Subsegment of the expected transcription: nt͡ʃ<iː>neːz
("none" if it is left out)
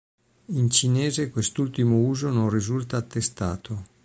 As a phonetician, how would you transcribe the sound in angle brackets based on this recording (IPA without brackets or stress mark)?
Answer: i